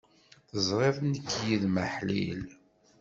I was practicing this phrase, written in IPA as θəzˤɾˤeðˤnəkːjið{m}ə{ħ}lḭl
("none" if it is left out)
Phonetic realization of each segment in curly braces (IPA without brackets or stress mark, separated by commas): m, ħ